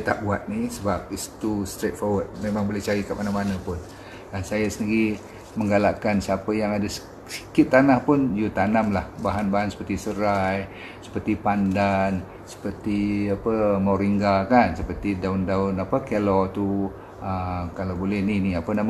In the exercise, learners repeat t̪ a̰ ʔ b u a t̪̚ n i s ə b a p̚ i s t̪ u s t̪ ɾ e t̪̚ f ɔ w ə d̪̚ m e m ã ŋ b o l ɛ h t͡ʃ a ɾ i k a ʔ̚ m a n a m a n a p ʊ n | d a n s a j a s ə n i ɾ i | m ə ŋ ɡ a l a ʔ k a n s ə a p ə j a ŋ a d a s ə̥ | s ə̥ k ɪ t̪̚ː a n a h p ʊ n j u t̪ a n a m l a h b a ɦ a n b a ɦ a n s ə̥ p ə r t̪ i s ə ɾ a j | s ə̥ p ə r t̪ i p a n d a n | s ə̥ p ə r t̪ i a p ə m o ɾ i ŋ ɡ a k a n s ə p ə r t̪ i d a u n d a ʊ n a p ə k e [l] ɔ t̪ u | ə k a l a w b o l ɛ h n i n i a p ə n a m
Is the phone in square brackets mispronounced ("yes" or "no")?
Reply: no